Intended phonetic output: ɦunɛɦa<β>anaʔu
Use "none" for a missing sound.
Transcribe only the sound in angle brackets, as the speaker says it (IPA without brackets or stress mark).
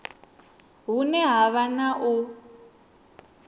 β